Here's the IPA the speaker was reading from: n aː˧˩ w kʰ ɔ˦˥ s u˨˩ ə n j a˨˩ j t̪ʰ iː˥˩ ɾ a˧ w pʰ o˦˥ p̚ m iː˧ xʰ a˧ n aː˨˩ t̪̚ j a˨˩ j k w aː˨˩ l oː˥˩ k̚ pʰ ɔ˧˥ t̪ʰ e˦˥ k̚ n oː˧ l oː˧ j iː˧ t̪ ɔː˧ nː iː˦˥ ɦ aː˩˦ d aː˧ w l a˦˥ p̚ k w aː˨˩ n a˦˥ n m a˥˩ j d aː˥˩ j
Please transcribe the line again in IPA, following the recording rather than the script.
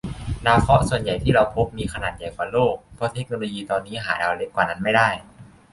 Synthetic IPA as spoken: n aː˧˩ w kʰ ɔ˦˥ s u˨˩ ə n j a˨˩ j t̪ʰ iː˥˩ ɾ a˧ w pʰ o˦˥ p̚ m iː˧ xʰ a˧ n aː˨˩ t̪̚ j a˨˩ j k w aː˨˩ l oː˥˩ k̚ pʰ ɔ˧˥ t̪ʰ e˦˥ k̚ n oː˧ l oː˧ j iː˧ t̪ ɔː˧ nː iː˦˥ ɦ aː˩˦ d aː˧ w l e˦˥ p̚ k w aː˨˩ n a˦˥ n m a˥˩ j d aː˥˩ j